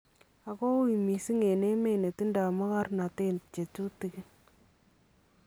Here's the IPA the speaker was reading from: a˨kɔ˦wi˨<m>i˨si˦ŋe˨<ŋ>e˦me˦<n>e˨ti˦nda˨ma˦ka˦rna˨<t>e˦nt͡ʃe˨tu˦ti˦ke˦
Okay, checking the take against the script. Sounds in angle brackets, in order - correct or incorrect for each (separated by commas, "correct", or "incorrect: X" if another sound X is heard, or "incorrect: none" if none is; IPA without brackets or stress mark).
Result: correct, incorrect: n, correct, correct